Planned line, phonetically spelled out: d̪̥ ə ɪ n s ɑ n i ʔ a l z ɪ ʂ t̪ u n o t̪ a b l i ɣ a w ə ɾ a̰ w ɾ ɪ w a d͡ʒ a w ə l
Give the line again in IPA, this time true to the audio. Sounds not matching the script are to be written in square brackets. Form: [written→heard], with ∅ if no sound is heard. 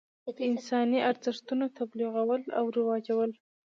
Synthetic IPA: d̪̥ ə ɪ n s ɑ n i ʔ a [l→ɾ] z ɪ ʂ t̪ u n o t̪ a b l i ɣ a w ə [ɾ→l] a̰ w ɾ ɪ w [a→ɑ] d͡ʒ a w ə l